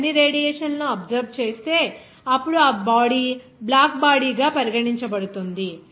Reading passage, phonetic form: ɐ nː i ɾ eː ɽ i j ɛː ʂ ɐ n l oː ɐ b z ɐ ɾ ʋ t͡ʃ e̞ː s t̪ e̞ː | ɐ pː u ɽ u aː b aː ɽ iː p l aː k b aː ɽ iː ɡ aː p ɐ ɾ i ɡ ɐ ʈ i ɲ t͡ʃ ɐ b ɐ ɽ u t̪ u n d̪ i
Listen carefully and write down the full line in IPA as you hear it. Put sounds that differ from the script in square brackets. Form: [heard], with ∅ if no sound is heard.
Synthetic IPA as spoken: ɐ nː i ɾ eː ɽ i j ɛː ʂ ɐ n l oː ɐ b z ɐ ɾ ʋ t͡ʃ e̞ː s t̪ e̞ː | ɐ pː u ɽ u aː b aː ɽ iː [b] l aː k b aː ɽ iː ɡ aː p ɐ ɾ i ɡ ɐ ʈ i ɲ t͡ʃ ɐ b ɐ ɽ u t̪ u n d̪ i